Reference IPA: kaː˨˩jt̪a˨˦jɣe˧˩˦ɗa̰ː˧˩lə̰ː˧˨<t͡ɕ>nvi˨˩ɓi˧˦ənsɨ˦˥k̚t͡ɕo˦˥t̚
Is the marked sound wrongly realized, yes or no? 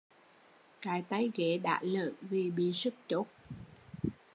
yes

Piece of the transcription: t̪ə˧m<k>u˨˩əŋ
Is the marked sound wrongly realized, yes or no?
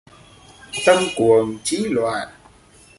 no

